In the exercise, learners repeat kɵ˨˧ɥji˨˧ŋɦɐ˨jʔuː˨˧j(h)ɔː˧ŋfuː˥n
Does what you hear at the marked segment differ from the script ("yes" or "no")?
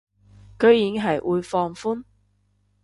yes